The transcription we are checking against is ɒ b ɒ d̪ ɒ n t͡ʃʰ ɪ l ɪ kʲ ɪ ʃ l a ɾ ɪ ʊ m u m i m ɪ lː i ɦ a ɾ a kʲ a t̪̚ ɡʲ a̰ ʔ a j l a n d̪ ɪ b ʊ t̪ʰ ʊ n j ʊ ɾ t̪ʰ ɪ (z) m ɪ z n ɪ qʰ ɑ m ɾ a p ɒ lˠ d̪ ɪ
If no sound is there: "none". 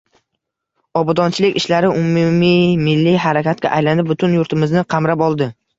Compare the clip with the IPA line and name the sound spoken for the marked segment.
none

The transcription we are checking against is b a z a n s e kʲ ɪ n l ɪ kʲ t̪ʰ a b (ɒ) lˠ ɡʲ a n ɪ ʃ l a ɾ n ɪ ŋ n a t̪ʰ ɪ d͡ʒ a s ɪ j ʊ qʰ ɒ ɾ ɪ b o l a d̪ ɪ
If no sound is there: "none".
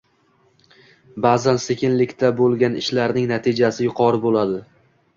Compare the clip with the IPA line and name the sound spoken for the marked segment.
o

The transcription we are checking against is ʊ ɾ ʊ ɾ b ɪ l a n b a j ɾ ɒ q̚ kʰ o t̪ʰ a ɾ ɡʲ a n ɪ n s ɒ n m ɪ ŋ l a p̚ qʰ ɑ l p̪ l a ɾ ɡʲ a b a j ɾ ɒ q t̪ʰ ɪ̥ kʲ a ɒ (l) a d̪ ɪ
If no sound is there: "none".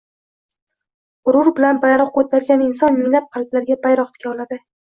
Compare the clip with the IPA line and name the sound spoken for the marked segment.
l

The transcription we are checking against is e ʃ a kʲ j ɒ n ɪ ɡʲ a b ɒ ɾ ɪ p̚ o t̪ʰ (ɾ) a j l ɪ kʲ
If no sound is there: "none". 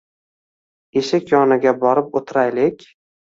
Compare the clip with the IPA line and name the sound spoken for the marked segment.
ɾ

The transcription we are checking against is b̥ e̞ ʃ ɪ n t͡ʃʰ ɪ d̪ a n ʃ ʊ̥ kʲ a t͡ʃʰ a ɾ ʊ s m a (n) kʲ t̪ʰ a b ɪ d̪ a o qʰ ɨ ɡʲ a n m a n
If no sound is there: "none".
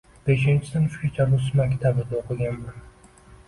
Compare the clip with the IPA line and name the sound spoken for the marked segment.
none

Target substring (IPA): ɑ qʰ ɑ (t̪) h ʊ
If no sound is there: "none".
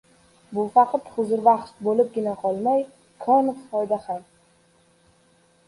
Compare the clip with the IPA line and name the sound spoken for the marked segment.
t̪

